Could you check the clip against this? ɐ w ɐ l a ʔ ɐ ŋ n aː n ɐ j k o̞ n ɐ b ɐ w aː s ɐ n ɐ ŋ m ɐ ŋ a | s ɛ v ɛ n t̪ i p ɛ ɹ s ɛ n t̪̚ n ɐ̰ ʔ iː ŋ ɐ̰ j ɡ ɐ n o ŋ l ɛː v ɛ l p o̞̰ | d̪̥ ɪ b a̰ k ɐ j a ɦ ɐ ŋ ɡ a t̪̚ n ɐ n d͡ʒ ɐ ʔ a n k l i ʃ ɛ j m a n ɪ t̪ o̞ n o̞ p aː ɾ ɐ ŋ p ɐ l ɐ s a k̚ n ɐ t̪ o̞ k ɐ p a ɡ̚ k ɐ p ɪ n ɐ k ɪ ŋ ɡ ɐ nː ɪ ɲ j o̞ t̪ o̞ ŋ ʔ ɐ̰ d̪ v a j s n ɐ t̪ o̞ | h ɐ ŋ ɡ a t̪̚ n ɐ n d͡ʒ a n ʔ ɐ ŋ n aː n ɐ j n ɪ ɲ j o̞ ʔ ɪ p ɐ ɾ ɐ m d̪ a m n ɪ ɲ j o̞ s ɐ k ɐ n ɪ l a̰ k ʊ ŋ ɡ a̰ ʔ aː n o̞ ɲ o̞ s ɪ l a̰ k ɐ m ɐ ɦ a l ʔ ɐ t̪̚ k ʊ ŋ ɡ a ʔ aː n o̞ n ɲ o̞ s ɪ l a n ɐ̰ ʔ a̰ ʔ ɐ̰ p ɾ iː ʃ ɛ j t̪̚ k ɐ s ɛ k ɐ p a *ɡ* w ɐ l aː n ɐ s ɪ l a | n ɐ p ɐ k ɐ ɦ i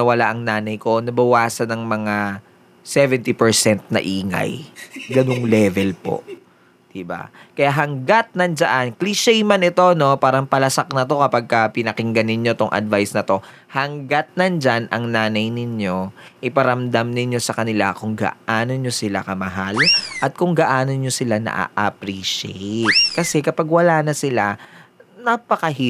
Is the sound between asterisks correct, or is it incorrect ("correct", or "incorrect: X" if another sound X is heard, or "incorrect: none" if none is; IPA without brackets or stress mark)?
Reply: correct